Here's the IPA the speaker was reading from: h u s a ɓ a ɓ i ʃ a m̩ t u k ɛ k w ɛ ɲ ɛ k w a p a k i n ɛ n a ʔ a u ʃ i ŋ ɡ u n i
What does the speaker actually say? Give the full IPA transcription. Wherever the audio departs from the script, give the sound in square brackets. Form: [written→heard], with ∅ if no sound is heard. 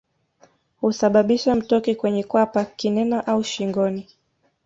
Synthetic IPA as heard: h u s a ɓ a ɓ i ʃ a m̩ t [u→ɔ] k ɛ k w ɛ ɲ ɛ k w a p a k i n ɛ n a ʔ a u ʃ i ŋ ɡ [u→ɔ] n i